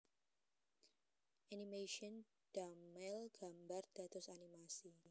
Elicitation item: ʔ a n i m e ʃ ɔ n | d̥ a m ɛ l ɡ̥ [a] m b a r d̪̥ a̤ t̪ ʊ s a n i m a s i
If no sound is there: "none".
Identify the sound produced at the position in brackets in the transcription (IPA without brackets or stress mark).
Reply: a